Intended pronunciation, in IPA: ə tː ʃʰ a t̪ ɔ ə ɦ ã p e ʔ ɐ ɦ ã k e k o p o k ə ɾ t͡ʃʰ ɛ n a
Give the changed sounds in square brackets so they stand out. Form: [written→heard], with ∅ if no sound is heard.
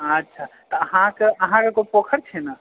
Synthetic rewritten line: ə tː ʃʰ a t̪ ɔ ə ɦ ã [p→k] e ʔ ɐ ɦ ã k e k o p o [k→kʰ] ə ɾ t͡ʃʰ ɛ n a